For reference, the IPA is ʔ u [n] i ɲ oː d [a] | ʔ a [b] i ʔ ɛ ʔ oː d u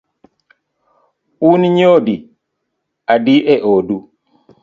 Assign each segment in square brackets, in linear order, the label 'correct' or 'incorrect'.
correct, incorrect, incorrect

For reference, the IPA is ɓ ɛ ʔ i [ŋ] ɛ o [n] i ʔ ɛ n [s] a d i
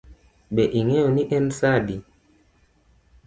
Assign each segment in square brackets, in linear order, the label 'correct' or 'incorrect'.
correct, correct, correct

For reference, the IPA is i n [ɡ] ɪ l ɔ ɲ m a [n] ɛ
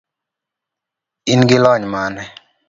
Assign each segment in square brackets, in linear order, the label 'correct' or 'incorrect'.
correct, correct

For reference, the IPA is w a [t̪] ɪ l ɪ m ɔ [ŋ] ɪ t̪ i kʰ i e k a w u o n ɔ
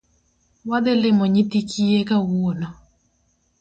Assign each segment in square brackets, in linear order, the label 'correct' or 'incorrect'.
incorrect, incorrect

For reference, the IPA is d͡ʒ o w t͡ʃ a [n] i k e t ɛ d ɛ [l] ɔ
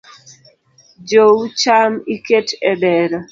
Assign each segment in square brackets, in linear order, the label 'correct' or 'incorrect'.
incorrect, incorrect

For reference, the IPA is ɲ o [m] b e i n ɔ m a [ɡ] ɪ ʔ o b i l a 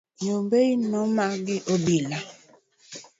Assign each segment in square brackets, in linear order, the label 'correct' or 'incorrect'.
correct, correct

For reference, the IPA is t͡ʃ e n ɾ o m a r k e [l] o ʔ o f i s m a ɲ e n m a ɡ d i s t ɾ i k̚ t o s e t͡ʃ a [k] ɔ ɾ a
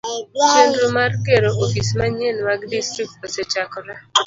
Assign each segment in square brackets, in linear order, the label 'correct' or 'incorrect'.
incorrect, correct

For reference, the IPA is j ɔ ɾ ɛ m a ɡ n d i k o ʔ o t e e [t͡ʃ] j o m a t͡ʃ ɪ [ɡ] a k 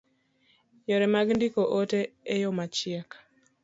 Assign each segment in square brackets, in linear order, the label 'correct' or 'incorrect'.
incorrect, incorrect

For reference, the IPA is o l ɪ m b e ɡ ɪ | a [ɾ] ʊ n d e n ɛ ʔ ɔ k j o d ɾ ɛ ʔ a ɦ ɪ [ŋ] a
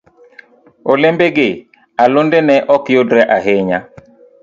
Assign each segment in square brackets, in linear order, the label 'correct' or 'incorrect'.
incorrect, incorrect

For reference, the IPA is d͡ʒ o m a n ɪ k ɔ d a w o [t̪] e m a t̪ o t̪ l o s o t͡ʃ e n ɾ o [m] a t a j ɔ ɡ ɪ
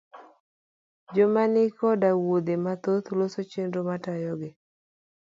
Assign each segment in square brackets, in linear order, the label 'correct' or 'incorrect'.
incorrect, correct

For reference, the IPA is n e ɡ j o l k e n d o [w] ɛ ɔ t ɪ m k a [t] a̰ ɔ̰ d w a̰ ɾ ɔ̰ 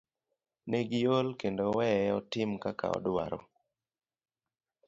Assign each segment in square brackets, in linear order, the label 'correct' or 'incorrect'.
correct, incorrect

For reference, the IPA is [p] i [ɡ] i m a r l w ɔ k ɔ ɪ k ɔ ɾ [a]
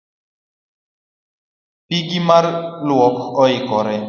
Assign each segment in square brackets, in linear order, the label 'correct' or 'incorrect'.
correct, correct, incorrect

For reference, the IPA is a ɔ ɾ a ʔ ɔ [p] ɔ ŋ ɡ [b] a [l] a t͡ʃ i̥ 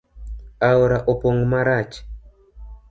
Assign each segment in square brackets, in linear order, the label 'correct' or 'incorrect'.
correct, incorrect, incorrect

